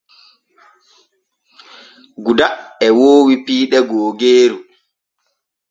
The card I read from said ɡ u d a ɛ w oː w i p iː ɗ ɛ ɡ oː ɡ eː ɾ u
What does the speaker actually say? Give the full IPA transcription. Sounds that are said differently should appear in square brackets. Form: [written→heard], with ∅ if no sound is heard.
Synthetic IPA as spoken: ɡ u d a ɛ w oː w i p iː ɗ ɛ ɡ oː ɡ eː ɾ u